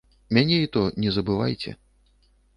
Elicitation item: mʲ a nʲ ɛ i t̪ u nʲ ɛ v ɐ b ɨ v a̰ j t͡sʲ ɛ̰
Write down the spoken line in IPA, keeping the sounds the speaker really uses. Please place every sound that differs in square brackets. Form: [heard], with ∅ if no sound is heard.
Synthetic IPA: mʲ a nʲ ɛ i t̪ [ɔ] nʲ ɛ [z] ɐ b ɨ v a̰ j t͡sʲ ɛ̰